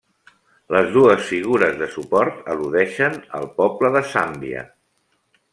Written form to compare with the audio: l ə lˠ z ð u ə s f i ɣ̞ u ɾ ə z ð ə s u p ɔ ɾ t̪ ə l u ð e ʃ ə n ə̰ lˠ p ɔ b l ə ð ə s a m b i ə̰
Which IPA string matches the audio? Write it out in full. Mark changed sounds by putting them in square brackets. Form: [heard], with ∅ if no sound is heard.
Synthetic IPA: l ə [∅] z ð u ə s f i ɣ̞ u ɾ ə z ð ə s u p ɔ ɾ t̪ ə l u ð [ɛ] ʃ ə n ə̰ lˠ p ɔ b l ə ð ə s a m b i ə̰